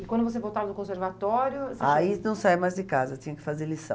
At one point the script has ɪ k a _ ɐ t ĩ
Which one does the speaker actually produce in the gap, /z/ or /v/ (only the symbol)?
z